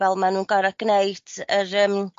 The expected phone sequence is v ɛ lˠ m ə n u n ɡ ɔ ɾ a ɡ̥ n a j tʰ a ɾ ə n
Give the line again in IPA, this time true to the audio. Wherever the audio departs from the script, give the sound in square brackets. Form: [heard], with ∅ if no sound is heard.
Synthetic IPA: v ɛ lˠ m [a] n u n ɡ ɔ ɾ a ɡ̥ n [e] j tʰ [ə] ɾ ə [m]